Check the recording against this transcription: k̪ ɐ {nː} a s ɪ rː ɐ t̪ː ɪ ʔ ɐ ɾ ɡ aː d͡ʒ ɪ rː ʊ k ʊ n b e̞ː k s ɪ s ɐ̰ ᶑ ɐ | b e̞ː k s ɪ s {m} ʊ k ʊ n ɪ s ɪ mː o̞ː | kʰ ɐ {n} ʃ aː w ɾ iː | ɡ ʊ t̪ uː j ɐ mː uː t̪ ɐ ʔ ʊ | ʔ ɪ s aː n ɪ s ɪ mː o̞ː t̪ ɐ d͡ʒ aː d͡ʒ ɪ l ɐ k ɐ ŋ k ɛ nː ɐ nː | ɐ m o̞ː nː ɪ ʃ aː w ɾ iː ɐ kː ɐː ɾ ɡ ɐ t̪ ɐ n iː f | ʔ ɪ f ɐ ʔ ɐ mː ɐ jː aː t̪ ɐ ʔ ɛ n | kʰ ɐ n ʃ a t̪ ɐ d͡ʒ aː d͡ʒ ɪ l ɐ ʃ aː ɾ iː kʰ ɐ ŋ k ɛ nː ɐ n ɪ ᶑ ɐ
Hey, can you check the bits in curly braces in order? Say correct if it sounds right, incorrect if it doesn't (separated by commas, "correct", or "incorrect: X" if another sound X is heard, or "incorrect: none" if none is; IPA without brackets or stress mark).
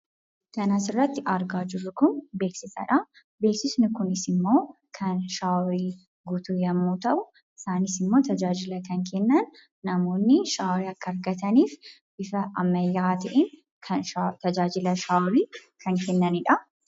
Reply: incorrect: n, incorrect: n, correct